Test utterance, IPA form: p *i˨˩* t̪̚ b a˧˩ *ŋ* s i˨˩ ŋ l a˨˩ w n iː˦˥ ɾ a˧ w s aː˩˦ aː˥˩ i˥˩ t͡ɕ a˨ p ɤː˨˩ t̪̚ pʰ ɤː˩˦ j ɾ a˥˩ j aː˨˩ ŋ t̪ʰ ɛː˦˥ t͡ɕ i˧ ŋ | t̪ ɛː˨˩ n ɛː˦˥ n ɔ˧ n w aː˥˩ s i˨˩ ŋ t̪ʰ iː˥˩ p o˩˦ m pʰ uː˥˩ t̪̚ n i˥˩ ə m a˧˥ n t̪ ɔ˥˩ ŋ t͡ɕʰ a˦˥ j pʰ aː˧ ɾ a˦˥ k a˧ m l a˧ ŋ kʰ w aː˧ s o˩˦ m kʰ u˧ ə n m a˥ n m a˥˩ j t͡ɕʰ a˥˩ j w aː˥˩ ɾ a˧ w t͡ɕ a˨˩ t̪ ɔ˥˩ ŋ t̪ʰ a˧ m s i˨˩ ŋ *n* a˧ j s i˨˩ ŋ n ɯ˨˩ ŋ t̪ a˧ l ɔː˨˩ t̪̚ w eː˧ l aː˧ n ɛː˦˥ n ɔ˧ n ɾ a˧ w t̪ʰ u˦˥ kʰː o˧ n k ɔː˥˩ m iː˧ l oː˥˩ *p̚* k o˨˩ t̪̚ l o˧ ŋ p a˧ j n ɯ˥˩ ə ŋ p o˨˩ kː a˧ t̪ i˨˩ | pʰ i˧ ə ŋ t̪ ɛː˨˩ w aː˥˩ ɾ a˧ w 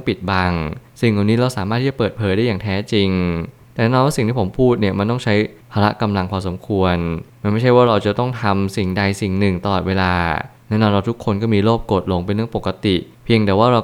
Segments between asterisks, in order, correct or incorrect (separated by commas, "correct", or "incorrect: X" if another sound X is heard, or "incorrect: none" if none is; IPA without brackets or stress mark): correct, correct, incorrect: d, correct